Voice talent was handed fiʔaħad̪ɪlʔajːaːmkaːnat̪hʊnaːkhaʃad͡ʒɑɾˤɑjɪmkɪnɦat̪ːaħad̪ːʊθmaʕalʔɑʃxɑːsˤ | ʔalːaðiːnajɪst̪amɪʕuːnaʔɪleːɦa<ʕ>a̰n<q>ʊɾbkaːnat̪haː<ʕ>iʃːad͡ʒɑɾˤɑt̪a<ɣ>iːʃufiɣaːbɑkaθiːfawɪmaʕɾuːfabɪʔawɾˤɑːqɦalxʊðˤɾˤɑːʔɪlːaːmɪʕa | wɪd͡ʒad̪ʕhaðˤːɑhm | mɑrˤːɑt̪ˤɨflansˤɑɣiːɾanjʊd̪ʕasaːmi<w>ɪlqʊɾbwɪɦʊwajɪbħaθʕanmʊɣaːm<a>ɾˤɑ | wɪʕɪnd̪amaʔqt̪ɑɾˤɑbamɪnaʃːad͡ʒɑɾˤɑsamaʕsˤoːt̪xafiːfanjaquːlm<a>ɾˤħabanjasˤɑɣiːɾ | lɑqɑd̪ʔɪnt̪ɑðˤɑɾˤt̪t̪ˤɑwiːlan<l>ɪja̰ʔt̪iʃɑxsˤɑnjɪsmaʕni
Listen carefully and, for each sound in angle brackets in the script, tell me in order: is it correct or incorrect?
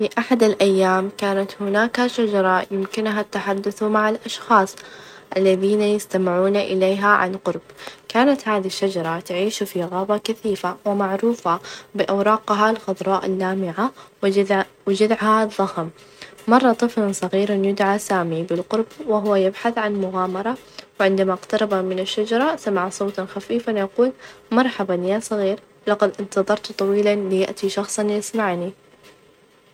correct, correct, incorrect, incorrect, incorrect, incorrect, incorrect, correct

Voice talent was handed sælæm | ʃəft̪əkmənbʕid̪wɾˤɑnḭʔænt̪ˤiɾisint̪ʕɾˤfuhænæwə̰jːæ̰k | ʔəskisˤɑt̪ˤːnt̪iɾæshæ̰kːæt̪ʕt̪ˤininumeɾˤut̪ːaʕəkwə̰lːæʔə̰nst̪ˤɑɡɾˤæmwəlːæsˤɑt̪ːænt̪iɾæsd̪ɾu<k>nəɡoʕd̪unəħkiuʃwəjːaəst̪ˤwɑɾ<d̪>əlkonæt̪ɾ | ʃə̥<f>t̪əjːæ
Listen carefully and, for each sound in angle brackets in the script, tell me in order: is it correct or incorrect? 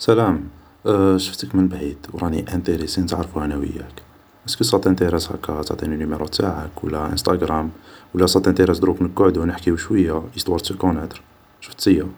correct, incorrect, correct

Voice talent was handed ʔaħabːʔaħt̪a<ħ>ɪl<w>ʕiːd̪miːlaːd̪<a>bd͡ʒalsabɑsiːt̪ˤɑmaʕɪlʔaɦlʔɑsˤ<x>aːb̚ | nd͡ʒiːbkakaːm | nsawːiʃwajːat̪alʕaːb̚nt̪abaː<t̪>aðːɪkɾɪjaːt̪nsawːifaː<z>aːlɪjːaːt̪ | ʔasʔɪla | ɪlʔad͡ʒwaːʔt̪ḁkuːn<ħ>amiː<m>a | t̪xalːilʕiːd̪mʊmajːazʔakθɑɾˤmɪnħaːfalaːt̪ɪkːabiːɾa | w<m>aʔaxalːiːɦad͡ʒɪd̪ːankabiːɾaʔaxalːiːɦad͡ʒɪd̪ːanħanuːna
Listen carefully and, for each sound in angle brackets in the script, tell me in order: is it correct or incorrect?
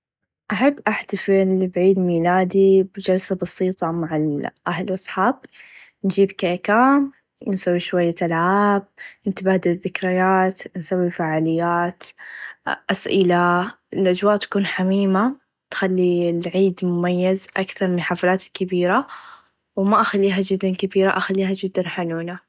incorrect, incorrect, incorrect, incorrect, incorrect, incorrect, correct, correct, correct

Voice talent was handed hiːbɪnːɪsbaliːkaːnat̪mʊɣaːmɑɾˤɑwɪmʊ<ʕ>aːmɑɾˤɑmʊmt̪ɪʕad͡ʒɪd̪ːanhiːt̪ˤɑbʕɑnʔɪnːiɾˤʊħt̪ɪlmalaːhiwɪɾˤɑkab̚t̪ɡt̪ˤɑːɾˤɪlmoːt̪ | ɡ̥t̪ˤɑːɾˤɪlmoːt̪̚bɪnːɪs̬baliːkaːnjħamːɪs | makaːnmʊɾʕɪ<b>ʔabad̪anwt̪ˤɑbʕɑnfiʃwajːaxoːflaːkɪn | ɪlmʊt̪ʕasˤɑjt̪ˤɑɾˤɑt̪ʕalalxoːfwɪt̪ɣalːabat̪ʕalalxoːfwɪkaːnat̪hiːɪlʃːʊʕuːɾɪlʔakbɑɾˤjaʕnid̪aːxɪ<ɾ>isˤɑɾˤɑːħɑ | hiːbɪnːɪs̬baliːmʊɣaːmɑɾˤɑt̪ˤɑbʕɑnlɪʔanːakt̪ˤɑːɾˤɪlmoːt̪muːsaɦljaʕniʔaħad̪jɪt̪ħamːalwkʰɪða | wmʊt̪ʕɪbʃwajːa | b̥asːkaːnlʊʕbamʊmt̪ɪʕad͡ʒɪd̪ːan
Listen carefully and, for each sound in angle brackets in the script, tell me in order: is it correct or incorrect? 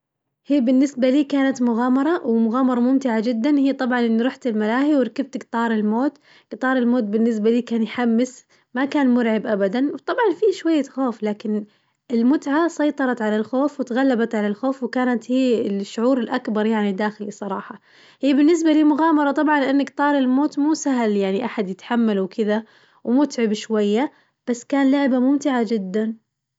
incorrect, correct, incorrect

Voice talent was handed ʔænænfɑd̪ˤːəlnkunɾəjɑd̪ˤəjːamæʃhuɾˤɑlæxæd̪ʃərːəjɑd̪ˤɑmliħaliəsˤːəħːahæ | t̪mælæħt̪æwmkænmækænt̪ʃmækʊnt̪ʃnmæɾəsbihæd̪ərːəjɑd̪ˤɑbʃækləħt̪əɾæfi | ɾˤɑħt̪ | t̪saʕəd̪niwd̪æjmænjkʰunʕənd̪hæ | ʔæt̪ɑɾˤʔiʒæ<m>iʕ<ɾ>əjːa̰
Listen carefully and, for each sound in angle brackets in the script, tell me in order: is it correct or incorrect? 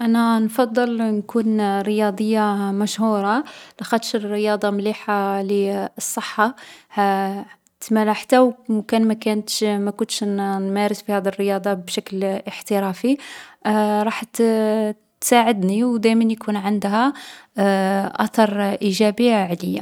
incorrect, incorrect

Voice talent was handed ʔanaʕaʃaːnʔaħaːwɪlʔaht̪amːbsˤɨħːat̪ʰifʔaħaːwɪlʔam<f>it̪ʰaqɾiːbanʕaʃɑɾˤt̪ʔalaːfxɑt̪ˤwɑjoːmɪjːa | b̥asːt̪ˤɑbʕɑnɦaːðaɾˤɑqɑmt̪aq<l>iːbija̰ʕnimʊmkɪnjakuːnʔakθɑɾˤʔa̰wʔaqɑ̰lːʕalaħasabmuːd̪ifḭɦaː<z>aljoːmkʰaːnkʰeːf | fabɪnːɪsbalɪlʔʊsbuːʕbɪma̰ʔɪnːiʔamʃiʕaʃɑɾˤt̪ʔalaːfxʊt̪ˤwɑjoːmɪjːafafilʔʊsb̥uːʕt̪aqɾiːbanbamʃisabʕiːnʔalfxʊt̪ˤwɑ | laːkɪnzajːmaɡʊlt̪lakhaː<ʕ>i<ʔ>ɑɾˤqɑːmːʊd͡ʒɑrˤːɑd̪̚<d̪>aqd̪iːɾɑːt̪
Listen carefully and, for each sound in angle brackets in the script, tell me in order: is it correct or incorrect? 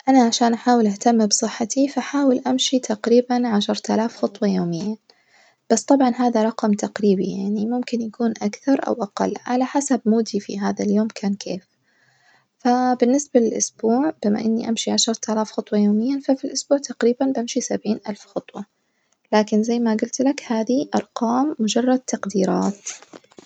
incorrect, incorrect, incorrect, incorrect, correct, incorrect

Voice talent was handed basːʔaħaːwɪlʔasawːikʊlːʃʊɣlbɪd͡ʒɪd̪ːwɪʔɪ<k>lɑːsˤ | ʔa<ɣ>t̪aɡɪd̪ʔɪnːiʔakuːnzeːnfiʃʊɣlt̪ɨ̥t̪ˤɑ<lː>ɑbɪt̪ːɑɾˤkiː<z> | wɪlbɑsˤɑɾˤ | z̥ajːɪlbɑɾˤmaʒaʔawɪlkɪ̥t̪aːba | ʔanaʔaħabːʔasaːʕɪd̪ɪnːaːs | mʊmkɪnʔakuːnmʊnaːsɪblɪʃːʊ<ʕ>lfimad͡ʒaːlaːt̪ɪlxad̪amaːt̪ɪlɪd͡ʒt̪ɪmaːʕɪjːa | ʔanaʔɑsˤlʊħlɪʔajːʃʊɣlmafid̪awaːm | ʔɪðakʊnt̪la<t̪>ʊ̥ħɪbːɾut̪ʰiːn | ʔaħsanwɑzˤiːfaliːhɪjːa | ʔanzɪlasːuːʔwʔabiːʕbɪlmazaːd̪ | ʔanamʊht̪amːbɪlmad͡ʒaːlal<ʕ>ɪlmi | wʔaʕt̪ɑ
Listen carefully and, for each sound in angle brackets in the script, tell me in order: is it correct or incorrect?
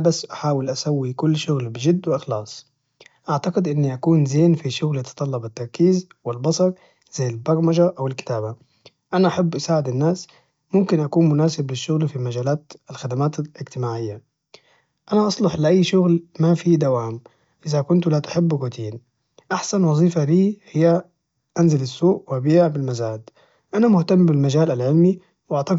incorrect, incorrect, correct, correct, incorrect, correct, correct

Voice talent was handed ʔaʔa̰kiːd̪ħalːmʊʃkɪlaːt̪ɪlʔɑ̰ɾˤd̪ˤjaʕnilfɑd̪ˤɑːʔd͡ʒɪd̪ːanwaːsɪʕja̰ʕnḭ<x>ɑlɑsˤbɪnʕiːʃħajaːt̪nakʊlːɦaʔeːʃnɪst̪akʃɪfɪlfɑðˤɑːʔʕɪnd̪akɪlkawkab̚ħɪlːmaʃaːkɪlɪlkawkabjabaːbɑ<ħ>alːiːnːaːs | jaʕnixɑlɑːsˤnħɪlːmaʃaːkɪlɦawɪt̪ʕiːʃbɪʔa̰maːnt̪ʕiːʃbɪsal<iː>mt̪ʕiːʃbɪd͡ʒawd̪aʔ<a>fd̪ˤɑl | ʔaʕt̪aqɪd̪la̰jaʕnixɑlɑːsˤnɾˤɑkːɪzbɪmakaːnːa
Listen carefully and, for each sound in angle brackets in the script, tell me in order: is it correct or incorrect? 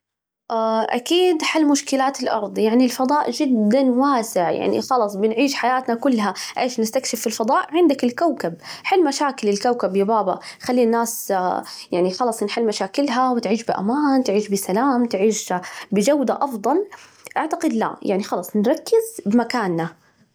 correct, incorrect, incorrect, incorrect

